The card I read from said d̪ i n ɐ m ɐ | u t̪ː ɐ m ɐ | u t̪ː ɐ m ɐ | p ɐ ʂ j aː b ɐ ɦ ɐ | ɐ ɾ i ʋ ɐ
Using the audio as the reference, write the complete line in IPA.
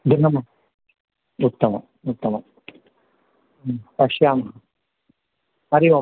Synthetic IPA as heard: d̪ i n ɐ m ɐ | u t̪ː ɐ m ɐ | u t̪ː ɐ m ɐ | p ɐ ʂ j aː m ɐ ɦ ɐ | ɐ ɾ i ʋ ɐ